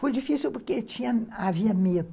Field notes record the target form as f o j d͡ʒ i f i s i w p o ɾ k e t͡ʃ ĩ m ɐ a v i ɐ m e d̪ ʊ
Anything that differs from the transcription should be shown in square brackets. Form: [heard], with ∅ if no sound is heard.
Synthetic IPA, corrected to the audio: f o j d͡ʒ i f i s i w p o ɾ k e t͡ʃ ĩ [ɲ] ɐ a v i ɐ m e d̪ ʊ